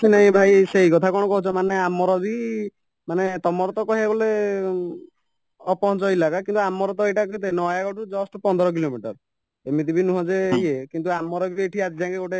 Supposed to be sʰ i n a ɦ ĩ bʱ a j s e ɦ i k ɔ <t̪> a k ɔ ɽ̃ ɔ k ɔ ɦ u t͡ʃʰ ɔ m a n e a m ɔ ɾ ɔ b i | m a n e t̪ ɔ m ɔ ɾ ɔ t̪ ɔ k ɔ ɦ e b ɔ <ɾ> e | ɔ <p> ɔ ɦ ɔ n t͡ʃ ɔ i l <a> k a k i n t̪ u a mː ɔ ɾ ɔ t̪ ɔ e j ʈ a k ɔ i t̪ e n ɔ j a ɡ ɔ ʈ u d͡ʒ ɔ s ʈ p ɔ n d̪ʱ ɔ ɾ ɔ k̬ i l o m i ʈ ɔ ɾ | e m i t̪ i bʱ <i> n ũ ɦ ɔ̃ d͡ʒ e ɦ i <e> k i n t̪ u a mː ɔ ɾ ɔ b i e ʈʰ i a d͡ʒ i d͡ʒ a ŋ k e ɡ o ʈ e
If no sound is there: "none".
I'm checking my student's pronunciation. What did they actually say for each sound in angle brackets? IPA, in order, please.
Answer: t̪ʰ, l, p, a, i, e

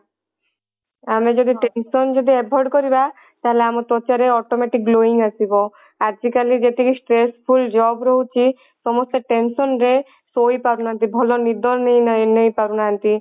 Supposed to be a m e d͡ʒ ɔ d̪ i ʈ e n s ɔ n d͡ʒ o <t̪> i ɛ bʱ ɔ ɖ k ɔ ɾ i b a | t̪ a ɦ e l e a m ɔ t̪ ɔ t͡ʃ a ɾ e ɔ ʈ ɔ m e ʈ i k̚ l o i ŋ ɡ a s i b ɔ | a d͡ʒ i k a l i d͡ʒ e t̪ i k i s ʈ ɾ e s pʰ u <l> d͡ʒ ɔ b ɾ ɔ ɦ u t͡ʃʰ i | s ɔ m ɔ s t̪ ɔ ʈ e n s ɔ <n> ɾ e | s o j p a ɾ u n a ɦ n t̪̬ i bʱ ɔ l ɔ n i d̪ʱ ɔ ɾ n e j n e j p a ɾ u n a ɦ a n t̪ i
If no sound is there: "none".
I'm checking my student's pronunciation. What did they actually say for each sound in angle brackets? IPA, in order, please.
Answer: d̪, l, n

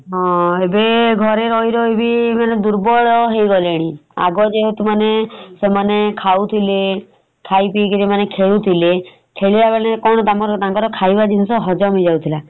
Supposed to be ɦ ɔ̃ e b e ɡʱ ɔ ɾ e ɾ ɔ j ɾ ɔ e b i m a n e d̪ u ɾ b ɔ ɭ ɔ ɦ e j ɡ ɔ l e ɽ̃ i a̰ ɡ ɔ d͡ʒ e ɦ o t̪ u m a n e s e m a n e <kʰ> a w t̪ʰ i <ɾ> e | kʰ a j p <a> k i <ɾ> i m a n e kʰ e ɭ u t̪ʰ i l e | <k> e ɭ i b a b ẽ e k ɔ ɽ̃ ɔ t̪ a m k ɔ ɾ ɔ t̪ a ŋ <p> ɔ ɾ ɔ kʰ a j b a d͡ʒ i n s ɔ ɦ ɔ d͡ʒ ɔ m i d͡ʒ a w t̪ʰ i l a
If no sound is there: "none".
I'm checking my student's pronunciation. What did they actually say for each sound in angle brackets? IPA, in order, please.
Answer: kʰ, l, i, ɾ, kʰ, k

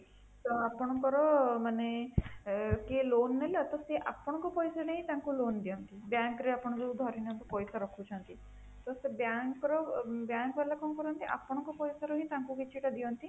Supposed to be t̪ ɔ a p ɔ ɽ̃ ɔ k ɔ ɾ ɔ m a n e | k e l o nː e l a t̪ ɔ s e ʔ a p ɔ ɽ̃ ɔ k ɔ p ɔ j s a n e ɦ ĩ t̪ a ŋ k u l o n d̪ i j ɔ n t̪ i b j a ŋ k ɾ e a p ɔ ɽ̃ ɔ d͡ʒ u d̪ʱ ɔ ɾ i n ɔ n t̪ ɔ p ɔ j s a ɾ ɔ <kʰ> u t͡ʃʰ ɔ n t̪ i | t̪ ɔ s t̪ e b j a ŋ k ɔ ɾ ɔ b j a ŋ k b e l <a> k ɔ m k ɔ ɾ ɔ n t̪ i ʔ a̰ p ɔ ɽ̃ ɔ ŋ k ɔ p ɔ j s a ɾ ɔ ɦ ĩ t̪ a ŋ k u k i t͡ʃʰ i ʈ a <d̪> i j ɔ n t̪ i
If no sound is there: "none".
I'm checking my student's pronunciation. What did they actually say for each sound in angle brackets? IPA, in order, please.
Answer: kʰ, a, d̪

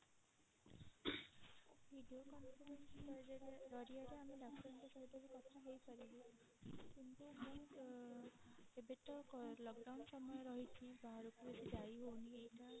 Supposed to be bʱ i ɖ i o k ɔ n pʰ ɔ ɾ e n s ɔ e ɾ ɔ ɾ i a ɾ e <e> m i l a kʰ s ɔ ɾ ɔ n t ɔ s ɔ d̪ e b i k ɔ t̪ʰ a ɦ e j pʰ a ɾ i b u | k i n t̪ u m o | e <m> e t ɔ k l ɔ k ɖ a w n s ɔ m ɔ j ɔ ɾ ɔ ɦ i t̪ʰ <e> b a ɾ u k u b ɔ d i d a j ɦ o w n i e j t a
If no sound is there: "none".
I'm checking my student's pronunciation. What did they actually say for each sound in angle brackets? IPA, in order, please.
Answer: a, b, i

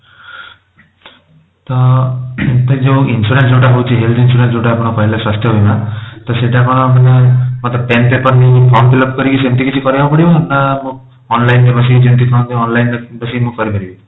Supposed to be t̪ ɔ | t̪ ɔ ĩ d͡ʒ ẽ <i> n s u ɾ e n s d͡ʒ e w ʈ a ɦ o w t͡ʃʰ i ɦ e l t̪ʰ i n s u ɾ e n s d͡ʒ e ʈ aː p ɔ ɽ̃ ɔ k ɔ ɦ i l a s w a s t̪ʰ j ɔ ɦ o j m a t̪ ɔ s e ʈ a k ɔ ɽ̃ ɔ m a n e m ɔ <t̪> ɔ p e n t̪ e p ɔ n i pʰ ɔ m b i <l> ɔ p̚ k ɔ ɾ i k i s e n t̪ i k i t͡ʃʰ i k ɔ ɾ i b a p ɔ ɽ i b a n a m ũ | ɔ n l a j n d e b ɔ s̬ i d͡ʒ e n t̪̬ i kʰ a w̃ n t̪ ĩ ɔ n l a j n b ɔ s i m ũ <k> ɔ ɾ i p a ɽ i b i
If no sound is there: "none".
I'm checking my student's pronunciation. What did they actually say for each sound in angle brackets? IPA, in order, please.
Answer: i, t̪, l, k

